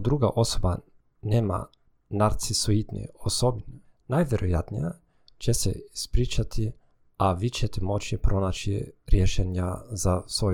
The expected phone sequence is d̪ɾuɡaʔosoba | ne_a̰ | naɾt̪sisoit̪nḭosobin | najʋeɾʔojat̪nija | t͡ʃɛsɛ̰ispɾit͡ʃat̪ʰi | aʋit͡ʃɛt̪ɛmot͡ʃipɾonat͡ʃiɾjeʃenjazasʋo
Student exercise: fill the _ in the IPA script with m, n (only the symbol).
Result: m